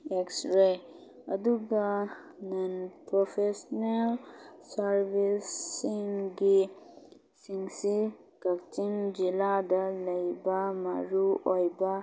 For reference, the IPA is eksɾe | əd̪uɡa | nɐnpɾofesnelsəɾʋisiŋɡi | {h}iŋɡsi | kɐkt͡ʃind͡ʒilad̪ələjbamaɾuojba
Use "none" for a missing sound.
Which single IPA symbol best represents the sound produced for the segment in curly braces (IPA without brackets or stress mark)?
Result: s